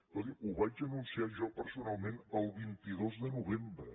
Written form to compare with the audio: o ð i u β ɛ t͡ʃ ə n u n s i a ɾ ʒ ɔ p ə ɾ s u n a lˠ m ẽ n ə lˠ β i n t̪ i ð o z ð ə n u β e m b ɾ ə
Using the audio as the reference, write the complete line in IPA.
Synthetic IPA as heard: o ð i u β a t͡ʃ ə n u n s i a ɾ ʒ ɔ p ə ɾ s u n a lˠ m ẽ n ə lˠ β i n t̪ i ð o z ð ə n u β e m b ɾ ə